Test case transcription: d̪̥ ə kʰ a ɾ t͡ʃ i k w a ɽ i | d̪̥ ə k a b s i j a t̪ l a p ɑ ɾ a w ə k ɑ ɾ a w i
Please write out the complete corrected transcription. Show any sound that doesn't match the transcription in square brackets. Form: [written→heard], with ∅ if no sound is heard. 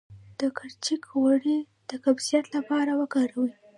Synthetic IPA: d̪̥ ə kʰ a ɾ t͡ʃ i k w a ɽ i | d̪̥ ə k a b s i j a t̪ l a p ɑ ɾ a w ə k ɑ ɾ a w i